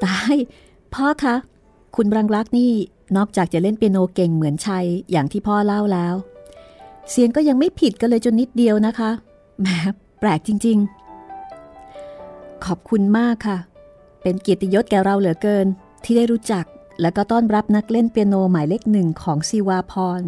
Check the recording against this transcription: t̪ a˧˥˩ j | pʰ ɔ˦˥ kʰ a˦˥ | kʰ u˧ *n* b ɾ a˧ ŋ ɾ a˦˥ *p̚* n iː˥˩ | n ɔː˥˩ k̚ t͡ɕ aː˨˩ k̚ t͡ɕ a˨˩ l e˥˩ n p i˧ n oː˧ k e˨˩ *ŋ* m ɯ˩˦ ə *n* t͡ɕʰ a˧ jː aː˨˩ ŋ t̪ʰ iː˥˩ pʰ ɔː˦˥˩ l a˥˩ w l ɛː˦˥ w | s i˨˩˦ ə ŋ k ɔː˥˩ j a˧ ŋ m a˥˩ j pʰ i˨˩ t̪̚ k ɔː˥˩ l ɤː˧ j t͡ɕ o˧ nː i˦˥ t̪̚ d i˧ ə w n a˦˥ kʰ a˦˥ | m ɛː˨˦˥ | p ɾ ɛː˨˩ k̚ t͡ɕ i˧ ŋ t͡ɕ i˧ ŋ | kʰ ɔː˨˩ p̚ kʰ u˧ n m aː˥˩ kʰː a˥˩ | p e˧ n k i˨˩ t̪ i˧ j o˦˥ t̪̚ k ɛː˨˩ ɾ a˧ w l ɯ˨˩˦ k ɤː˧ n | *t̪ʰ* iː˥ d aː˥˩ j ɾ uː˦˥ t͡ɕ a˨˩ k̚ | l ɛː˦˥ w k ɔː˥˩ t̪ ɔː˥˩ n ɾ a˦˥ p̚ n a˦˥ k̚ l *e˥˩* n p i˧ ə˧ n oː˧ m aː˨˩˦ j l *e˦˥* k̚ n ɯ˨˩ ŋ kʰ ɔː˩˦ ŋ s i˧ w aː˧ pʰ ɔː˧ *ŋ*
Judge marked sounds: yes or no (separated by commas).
yes, no, yes, yes, yes, yes, yes, no